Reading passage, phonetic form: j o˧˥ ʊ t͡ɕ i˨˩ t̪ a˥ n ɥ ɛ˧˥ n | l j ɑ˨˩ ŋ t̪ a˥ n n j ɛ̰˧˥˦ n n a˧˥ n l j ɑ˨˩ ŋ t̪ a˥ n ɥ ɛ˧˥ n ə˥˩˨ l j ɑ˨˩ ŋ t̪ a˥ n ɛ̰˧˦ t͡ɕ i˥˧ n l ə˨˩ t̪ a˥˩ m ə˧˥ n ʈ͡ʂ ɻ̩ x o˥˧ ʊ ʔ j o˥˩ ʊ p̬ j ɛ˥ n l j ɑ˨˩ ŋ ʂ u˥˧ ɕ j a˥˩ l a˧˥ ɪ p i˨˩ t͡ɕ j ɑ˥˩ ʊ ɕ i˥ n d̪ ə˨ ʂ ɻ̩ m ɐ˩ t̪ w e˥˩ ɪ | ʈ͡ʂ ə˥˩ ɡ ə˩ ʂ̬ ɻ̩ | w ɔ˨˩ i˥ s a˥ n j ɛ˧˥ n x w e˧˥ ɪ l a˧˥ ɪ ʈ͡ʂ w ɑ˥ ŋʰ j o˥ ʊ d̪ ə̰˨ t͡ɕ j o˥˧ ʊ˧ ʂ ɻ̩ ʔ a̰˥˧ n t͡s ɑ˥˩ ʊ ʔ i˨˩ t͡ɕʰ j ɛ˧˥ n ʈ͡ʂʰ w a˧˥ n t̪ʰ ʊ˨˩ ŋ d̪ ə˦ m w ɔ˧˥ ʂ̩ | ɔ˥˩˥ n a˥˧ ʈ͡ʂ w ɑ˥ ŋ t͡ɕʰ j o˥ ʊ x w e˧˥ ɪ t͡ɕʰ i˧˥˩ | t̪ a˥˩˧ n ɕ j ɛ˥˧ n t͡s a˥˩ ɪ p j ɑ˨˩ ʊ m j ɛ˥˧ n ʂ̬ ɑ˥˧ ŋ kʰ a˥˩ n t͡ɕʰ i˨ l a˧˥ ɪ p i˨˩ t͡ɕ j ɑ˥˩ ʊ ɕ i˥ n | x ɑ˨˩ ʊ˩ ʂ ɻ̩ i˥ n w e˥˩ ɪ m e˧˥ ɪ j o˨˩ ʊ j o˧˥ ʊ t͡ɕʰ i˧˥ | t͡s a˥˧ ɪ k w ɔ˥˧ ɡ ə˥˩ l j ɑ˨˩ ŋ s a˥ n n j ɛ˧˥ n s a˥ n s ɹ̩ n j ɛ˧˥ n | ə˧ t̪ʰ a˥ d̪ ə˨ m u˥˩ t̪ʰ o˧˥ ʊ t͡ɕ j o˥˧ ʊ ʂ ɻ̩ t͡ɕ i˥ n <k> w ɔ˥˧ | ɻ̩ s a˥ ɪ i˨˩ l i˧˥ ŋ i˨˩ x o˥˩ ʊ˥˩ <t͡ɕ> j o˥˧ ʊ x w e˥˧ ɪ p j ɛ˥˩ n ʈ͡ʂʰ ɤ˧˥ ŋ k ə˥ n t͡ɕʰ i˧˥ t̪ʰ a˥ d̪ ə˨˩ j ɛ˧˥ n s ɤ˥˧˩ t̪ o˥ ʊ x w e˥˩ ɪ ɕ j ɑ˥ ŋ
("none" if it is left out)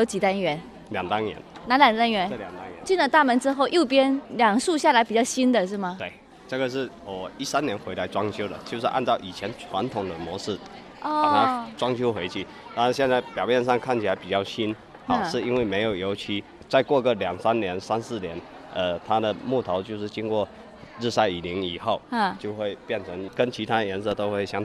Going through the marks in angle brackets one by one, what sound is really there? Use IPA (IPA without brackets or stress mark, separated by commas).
k, t͡ɕ